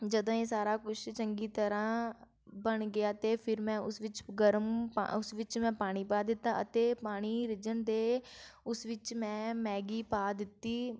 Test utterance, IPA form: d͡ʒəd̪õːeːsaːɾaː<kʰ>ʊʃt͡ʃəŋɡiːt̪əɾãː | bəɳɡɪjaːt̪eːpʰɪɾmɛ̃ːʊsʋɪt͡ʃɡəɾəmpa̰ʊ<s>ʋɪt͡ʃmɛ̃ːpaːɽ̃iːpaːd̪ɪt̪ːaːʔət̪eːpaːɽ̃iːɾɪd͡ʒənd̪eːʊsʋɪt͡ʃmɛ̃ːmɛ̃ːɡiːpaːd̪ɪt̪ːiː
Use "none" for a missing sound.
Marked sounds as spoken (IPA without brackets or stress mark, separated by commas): k, s